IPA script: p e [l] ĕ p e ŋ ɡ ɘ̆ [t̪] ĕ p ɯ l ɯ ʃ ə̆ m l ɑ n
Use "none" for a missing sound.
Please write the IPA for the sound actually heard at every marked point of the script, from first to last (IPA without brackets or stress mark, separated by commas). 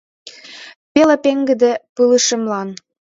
l, d̪